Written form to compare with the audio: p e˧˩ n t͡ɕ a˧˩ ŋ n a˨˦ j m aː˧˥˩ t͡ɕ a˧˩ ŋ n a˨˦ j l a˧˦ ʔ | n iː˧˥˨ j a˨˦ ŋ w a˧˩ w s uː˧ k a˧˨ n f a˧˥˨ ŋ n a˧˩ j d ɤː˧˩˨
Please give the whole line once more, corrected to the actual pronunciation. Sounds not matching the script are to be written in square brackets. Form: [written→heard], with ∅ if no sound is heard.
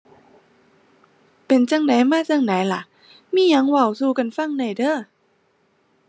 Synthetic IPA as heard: p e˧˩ n t͡ɕ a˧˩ ŋ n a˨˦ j m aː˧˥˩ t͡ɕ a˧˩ ŋ n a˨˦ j l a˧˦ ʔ | [n→m] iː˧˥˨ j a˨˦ ŋ w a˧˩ w s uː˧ k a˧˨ n f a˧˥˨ ŋ n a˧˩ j d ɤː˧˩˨